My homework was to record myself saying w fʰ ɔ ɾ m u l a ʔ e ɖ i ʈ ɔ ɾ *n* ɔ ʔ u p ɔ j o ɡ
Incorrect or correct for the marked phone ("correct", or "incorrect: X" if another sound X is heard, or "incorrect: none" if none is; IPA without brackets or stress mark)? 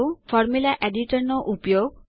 correct